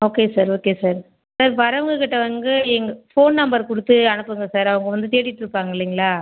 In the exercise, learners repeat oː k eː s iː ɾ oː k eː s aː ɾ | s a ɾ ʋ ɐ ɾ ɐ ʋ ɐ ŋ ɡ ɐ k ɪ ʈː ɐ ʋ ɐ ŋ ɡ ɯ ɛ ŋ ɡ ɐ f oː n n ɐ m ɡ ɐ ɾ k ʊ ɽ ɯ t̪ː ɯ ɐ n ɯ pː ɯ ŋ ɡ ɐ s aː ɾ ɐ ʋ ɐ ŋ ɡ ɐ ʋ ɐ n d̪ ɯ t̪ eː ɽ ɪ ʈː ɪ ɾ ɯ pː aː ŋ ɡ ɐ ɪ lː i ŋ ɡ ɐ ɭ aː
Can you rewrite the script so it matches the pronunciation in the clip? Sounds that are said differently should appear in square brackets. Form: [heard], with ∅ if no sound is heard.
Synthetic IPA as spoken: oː k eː s [aː] ɾ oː k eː s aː ɾ | s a ɾ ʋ ɐ ɾ ɐ ʋ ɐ ŋ ɡ ɐ k ɪ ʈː ɐ ʋ ɐ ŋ ɡ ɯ ɛ ŋ ɡ ɐ f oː n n ɐ m [b] ɐ ɾ k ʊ ɽ ɯ t̪ː ɯ ɐ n ɯ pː ɯ ŋ ɡ ɐ s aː ɾ ɐ ʋ ɐ ŋ ɡ ɐ ʋ ɐ n d̪ ɯ t̪ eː ɽ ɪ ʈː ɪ ɾ ɯ pː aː ŋ ɡ ɐ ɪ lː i ŋ ɡ ɐ ɭ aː